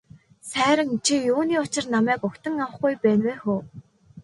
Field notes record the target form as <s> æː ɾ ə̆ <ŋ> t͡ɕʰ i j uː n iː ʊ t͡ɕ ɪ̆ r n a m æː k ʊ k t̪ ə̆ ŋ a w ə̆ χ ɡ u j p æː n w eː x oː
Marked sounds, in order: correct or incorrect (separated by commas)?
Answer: correct, correct